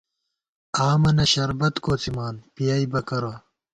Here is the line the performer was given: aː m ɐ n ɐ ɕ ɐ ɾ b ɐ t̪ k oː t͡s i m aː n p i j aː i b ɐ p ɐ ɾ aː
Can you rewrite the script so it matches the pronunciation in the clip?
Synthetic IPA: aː m ɐ n ɐ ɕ ɐ ɾ b ɐ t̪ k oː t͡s i m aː n p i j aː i b ɐ k ɐ ɾ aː